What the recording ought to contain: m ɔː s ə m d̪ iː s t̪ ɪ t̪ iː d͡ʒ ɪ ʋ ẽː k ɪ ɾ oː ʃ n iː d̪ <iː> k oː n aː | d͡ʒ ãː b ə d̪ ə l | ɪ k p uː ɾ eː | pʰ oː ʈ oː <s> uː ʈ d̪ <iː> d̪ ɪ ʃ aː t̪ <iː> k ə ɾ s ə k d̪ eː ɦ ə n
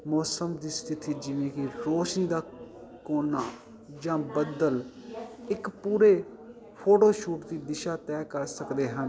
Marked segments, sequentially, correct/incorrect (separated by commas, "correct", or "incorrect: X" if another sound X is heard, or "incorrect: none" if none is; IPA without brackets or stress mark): incorrect: aː, incorrect: ʃ, correct, incorrect: ɛː